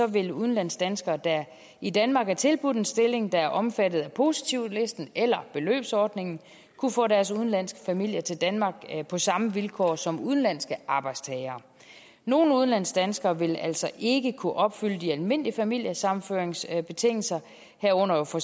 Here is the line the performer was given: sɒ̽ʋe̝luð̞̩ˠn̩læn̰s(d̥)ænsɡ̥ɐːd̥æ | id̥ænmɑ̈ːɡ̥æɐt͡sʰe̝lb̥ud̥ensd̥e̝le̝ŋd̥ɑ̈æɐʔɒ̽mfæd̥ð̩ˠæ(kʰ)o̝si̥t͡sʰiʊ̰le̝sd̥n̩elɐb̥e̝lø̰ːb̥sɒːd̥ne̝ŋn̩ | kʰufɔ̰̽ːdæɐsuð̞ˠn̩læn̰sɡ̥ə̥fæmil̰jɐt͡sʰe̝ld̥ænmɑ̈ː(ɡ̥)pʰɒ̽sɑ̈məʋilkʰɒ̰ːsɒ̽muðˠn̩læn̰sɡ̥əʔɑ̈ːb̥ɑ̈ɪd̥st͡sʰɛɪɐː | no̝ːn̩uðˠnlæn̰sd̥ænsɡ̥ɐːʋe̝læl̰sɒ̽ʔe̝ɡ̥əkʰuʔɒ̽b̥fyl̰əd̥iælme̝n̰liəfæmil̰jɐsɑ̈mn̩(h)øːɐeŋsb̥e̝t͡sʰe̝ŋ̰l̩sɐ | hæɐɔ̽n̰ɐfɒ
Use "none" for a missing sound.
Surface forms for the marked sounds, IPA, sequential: d̥, pʰ, ɡ̥, f

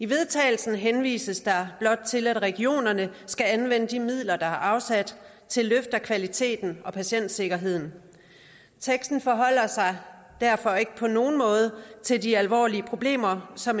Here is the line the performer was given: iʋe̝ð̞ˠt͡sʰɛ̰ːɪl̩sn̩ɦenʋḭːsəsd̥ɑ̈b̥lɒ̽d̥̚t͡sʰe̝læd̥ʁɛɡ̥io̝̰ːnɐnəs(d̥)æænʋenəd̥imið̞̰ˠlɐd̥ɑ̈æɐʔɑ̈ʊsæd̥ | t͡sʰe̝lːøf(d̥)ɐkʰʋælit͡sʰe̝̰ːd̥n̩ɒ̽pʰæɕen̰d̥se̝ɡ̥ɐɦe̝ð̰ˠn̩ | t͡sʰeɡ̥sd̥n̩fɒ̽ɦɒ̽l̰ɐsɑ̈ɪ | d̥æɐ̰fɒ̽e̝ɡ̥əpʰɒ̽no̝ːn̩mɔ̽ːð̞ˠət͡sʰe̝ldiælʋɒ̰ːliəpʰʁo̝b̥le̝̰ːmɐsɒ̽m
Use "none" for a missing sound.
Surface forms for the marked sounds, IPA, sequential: ɡ̥, d̥

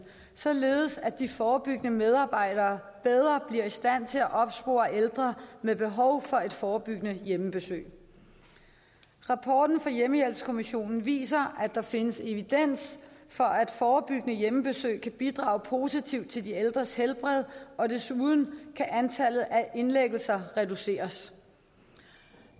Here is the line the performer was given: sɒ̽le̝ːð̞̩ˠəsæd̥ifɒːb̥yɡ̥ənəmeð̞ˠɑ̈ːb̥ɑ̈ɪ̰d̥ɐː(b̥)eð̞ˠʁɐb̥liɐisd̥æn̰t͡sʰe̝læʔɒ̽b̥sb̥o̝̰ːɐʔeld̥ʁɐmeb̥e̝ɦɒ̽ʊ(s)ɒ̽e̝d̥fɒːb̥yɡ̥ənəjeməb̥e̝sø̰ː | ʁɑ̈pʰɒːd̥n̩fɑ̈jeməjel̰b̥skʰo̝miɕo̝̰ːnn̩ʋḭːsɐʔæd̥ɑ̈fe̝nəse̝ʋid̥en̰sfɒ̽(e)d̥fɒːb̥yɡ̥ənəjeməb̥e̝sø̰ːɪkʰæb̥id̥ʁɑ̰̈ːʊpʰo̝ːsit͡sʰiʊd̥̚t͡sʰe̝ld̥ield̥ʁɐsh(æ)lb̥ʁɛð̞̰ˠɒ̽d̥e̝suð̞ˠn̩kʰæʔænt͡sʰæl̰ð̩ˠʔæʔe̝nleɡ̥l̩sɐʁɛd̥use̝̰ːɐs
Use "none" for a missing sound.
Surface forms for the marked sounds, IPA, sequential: b̥, f, æ, e

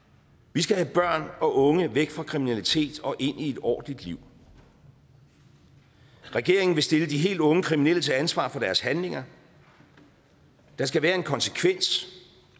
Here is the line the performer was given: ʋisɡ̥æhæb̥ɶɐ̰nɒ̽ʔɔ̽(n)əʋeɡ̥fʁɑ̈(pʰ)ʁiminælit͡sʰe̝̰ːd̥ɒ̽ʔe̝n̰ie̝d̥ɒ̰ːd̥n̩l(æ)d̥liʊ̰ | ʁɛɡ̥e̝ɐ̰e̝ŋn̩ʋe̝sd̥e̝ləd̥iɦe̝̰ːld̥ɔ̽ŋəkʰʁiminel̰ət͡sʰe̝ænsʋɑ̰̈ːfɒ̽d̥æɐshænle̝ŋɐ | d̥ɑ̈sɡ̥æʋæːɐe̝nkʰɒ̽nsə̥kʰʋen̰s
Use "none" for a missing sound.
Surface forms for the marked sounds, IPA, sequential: ŋ, kʰ, i

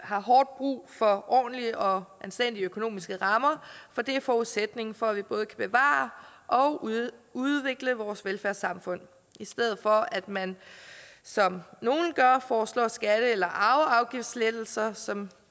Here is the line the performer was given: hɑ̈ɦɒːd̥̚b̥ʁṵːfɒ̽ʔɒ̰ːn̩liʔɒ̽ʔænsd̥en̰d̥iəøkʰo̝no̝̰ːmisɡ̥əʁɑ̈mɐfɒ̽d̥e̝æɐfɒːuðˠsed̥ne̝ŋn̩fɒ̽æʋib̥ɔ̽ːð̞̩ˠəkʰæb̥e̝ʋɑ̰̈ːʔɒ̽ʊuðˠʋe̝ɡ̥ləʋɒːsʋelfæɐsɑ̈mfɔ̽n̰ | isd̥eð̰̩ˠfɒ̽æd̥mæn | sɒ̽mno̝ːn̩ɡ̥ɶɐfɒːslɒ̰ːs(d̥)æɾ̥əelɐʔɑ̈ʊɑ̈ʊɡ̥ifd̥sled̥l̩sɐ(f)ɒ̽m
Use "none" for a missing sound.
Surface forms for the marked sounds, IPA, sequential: ɡ̥, s

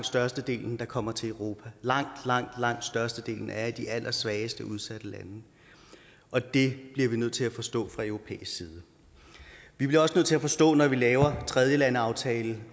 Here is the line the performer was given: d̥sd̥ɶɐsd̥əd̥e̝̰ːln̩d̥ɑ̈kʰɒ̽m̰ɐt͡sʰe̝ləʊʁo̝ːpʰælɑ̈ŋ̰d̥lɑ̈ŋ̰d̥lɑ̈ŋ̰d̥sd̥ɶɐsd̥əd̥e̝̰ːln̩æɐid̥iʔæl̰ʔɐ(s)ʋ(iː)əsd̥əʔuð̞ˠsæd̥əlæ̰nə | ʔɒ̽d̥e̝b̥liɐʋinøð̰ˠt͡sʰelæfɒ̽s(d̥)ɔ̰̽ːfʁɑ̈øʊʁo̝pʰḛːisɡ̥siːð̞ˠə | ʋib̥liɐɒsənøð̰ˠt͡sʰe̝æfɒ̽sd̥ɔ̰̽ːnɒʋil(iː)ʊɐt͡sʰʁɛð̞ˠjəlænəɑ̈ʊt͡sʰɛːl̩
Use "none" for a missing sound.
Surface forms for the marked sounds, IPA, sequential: s, ɛː, d̥, ɛː

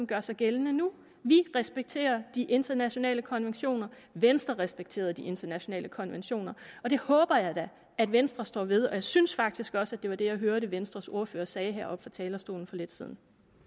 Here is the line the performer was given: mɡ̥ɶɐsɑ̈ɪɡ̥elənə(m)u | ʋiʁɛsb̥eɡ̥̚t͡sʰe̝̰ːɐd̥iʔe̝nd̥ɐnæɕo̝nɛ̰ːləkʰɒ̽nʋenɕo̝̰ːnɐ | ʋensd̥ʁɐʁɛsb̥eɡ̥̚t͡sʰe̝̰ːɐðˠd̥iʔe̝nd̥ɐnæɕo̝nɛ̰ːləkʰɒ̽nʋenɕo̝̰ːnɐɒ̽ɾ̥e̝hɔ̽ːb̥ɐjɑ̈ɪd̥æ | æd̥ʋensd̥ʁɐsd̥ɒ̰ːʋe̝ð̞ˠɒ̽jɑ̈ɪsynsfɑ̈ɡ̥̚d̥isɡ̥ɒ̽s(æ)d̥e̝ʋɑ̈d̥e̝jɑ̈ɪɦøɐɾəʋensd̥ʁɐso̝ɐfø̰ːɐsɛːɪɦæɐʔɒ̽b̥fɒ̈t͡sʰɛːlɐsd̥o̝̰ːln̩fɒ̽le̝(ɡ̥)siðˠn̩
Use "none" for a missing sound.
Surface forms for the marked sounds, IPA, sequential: n, æ, d̥

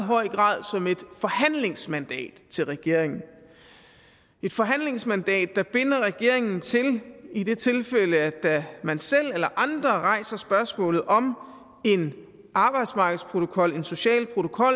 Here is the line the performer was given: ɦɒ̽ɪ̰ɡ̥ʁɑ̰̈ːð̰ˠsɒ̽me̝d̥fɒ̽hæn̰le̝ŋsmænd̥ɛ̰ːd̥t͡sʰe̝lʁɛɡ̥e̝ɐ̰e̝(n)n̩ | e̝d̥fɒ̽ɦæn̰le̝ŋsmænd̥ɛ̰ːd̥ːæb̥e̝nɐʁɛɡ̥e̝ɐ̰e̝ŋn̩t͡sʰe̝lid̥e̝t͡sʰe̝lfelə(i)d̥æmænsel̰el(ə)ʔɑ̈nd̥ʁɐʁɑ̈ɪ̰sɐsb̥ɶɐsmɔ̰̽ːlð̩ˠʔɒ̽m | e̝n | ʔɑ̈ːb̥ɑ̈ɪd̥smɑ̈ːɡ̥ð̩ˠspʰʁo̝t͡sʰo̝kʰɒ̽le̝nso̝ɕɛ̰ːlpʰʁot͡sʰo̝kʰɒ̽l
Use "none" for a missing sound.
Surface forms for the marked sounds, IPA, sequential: ŋ, æ, ɐ

